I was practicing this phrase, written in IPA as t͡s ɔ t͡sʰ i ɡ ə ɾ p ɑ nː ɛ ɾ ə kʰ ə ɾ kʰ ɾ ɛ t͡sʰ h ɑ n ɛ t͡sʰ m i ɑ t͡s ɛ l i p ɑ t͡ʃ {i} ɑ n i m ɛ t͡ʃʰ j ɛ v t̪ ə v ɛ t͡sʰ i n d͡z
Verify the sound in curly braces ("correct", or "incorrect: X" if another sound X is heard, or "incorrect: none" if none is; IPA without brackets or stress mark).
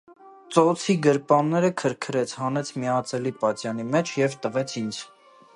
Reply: incorrect: j